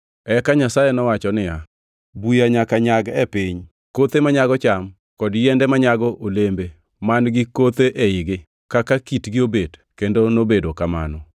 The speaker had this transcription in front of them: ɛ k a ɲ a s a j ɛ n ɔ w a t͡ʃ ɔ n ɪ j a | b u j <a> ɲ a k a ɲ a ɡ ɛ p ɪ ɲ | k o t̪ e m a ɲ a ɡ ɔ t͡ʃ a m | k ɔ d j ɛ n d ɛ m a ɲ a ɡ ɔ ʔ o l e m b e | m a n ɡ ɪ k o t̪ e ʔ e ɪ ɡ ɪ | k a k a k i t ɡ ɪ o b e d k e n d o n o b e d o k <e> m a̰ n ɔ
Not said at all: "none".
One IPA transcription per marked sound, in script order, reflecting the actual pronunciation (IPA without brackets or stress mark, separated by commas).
a, a